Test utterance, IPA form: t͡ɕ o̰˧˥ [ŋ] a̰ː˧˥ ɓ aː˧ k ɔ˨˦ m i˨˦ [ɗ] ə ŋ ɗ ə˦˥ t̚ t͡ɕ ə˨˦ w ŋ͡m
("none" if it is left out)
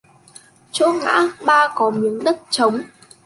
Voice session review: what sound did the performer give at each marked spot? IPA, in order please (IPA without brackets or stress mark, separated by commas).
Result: ŋ, none